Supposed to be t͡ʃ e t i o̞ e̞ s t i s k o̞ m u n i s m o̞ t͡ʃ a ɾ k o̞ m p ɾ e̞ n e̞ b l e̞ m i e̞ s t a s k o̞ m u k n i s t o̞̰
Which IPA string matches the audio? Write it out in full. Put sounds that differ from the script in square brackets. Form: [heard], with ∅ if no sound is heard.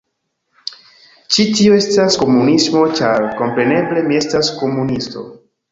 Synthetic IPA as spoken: t͡ʃ [i] t i o̞ e̞ s t [a] s k o̞ m u n i s m o̞ t͡ʃ a ɾ k o̞ m p ɾ e̞ n e̞ b l e̞ m i e̞ s t a s k o̞ m u [∅] n i s t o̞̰